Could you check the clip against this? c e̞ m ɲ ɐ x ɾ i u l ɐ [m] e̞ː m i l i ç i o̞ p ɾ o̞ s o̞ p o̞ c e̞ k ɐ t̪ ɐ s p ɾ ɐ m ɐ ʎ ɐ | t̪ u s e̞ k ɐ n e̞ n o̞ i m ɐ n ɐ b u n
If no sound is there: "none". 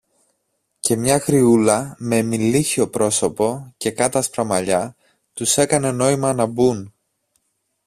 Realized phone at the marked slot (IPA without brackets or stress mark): m